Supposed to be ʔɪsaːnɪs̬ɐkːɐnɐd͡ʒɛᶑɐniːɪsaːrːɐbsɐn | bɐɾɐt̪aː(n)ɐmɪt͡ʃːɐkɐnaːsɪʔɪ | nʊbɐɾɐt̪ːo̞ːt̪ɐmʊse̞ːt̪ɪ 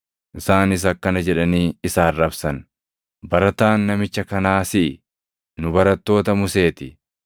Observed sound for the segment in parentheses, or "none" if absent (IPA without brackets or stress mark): nː